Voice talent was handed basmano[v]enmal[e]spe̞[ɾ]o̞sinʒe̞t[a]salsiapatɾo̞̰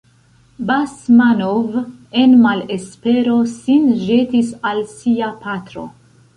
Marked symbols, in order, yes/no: yes, yes, yes, no

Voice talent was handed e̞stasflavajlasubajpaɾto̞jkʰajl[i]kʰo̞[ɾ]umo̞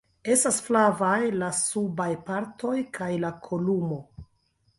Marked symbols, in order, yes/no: no, no

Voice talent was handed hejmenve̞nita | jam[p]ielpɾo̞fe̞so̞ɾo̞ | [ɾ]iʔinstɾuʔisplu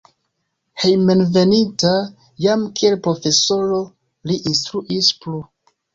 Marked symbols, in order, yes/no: no, no

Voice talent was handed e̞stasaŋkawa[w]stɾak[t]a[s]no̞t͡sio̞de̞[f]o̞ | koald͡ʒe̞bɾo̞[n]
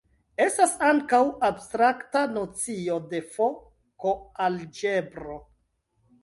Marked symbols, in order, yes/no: no, yes, no, yes, no

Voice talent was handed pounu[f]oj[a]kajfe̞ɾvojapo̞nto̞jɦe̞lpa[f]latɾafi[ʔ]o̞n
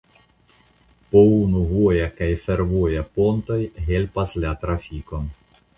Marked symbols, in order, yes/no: no, yes, no, no

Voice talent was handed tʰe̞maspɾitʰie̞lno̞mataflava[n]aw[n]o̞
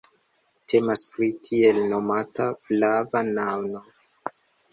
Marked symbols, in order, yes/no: yes, yes

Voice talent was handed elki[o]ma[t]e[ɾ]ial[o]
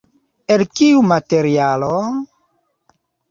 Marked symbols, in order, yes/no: no, yes, yes, yes

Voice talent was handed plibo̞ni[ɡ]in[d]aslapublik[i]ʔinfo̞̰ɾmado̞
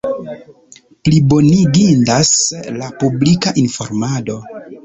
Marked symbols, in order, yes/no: yes, yes, no

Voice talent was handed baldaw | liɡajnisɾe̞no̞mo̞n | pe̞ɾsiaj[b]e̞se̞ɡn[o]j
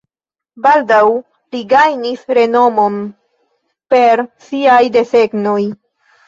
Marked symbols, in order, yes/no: no, yes

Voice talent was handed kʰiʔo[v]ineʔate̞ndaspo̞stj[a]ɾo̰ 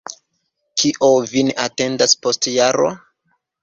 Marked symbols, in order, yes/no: yes, yes

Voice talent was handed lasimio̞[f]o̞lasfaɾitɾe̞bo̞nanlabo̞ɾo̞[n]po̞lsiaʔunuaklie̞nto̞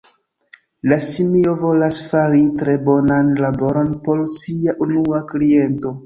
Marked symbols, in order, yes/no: no, yes

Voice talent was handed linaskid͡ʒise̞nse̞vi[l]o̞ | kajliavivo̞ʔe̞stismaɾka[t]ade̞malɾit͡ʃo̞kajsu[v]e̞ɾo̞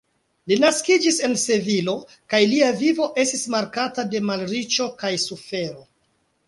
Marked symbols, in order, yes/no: yes, yes, no

